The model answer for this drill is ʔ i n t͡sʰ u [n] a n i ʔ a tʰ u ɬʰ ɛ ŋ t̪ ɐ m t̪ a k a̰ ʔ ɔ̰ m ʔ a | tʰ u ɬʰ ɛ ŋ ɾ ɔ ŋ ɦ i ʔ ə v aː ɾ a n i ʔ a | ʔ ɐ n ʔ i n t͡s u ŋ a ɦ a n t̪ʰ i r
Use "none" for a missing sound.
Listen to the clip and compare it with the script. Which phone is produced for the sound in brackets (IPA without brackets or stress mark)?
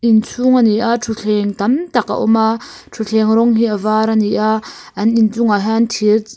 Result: ŋ